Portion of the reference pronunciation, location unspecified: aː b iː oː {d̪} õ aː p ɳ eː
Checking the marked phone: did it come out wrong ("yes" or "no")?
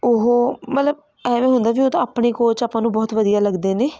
yes